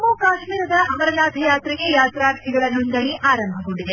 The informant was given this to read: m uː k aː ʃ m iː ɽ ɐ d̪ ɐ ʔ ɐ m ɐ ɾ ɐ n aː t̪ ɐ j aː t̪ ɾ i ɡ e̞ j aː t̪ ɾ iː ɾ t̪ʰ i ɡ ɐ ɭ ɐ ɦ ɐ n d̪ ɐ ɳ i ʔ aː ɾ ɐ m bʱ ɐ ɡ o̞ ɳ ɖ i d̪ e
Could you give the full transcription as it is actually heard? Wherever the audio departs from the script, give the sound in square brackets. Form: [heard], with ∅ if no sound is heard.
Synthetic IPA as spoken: m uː k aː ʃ m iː [ɾ] ɐ d̪ ɐ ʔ ɐ m ɐ ɾ ɐ n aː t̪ ɐ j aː t̪ ɾ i ɡ e̞ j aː t̪ ɾ [aː] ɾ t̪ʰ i ɡ ɐ ɭ ɐ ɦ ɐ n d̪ ɐ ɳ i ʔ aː ɾ ɐ m bʱ ɐ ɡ o̞ ɳ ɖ i d̪ e